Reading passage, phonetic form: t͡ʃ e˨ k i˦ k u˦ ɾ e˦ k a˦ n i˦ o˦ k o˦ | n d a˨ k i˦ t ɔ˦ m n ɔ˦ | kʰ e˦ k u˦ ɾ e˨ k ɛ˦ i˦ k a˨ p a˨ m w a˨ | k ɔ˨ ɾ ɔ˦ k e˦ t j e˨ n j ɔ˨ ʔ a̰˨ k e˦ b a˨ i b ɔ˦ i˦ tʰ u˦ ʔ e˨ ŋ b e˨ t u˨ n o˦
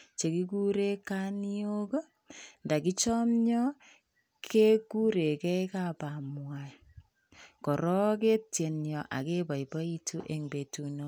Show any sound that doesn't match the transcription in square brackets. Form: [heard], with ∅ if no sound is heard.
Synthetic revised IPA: t͡ʃ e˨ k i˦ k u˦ ɾ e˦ k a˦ n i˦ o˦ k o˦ | n d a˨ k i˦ [t͡ʃ] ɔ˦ m [ɲ] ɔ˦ | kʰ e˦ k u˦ ɾ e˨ k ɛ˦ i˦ k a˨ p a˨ m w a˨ | k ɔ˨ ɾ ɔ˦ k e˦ t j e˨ n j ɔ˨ ʔ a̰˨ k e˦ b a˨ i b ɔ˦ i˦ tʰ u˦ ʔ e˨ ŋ b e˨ t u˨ n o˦